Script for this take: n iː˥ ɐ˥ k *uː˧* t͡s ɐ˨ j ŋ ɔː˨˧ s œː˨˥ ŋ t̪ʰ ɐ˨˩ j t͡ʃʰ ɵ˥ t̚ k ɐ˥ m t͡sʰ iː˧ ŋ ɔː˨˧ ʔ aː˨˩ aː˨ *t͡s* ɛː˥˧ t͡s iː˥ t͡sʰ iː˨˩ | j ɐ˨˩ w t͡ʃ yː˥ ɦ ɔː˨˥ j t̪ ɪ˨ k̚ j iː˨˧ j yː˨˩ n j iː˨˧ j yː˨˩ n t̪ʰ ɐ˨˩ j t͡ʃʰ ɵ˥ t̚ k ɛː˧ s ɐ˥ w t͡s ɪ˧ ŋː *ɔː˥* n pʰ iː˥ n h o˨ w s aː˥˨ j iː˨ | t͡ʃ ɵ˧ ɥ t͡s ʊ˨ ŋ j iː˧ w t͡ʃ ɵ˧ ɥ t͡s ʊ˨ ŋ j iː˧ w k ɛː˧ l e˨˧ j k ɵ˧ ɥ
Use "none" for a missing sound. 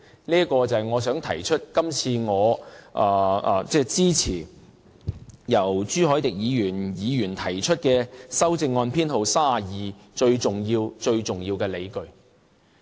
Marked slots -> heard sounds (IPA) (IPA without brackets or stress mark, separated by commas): ɔː˧, t͡s, ɔː˧